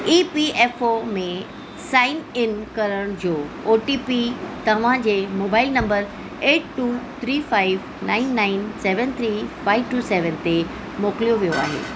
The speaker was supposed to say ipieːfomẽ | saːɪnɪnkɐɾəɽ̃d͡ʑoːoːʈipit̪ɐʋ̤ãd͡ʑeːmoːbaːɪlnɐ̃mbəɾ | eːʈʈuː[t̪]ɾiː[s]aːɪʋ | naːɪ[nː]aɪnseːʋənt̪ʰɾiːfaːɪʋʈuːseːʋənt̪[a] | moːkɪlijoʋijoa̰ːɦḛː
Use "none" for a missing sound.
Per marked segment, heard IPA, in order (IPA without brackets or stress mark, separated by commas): t̪ʰ, f, nː, e